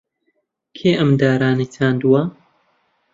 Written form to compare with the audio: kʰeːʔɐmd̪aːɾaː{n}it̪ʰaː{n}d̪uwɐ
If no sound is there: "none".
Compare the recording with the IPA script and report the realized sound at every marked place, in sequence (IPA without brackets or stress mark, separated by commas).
n, n